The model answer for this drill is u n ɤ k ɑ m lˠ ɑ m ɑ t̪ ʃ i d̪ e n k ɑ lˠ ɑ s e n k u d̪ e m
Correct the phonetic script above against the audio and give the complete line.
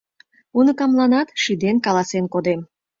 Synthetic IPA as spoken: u n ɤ k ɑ m lˠ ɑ n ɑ t̪ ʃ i d̪ e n k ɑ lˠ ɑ s e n k o d̪ e m